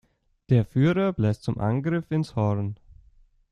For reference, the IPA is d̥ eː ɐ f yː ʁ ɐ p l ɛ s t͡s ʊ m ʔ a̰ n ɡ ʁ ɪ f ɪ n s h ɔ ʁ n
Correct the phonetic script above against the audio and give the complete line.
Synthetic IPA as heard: d̥ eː ɐ f yː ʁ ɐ b l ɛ s t͡s ʊ m ʔ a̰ n ɡ ʁ ɪ f ɪ n s h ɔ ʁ n